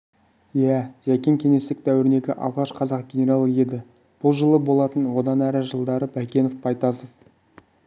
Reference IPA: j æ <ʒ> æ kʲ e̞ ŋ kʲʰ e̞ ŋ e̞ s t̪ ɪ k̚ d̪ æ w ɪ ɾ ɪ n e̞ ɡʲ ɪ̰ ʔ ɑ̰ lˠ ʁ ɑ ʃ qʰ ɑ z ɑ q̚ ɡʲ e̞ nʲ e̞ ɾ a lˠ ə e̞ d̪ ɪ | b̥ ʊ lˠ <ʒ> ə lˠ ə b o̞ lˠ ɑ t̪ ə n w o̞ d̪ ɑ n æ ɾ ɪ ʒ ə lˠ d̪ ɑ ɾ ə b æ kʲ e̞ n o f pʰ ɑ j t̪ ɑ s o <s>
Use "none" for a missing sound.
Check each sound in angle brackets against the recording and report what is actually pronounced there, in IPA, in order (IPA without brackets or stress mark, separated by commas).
ʒ, ʒ, f